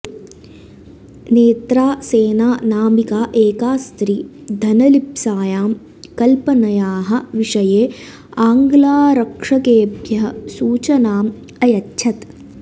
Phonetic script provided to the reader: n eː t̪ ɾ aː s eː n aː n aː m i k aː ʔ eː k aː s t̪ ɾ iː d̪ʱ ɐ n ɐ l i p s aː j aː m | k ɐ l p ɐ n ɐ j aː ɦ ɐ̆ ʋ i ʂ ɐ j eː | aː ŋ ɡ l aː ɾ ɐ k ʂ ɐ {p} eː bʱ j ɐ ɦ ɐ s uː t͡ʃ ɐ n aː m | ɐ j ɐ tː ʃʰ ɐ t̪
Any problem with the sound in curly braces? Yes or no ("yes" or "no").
yes